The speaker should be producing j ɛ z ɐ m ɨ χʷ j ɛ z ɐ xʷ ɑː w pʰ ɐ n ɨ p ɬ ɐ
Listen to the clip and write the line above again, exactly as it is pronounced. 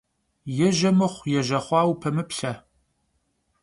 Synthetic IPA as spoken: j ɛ ʒ ɐ m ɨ χʷ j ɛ ʒ ɐ χʷ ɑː w pʰ ɐ m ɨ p ɬ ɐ